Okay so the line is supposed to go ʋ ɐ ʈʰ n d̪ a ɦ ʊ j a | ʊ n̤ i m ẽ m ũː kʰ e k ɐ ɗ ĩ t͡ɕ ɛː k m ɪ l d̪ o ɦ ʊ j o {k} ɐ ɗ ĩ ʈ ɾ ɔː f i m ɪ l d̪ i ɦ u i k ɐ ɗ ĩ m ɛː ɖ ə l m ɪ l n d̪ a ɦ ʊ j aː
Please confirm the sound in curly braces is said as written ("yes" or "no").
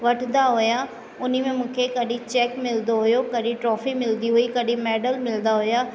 yes